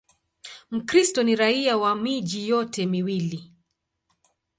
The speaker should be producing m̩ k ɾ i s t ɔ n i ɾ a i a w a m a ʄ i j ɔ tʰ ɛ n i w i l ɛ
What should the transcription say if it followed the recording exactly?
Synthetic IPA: m̩ k ɾ i s t ɔ n i ɾ a i a w a m i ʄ i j ɔ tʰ ɛ m i w i l i

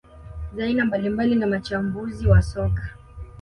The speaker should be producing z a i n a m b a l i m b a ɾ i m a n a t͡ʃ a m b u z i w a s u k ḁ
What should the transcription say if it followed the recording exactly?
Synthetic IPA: z a i n a m b a l i m b a l i n a m a t͡ʃ a m b u z i w a s ɔ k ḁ

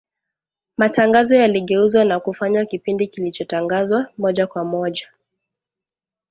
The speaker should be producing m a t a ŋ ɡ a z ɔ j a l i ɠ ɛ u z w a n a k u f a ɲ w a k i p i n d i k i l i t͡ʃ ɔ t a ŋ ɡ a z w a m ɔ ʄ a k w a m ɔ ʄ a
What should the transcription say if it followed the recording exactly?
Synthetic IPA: m a t a ŋ ɡ a z ɔ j a l i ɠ ɛ u z w a n a k u f a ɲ w a k i p i n d i k i l i t͡ʃ ɔ t a ŋ ɡ a z w a m ɔ ʄ a k w a m ɔ ʄ a

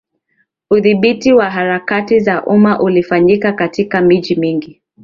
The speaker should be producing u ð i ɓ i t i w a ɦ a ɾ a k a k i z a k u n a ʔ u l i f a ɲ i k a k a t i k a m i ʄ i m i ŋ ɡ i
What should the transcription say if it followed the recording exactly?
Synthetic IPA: u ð i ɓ i t i w a ɦ a ɾ a k a t i z a ʔ u m a ʔ u l i f a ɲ i k a k a t i k a m i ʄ i m i ŋ ɡ i

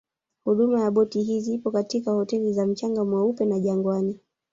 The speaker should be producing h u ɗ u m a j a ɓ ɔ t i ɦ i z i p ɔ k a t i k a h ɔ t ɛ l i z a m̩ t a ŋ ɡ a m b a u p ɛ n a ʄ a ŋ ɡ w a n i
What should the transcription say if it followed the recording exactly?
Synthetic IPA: h u ɗ u m a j a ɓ ɔ t i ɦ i z i p ɔ k a t i k a h ɔ t ɛ l i z a m̩ t͡ʃ a ŋ ɡ a m w a u p ɛ n a ʄ a ŋ ɡ w a n i

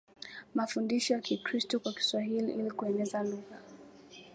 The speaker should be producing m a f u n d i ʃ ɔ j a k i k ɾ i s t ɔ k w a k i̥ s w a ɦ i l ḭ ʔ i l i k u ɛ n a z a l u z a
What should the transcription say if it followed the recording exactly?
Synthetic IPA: m a f u n d i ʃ ɔ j a k i k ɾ i s t ɔ k w a k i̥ s w a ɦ i l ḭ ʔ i l i k u ɛ n ɛ z a l u ɣ a

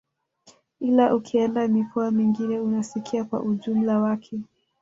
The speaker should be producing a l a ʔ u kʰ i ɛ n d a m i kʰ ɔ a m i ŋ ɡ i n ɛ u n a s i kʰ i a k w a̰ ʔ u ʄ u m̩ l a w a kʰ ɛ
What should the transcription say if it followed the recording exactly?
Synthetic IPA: i l a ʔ u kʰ i ɛ n d a m i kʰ ɔ a m i ŋ ɡ i n ɛ u n a s i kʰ i a k w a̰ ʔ u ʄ u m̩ l a w a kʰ ɛ

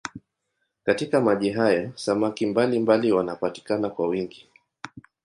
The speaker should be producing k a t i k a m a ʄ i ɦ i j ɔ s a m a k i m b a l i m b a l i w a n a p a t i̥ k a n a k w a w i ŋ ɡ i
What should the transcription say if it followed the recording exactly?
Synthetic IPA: k a t i k a m a ʄ i ɦ a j ɔ s a m a k i m b a l i m b a l i w a n a p a t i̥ k a n a k w a w i ŋ ɡ i

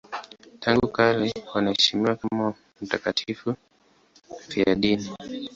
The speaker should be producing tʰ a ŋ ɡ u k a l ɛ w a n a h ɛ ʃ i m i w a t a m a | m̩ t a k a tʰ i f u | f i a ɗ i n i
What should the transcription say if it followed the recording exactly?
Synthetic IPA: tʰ a ŋ ɡ u k a l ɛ w a n a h ɛ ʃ i m i w a k a m a | m̩ t a k a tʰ i f u | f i a ɗ i n i

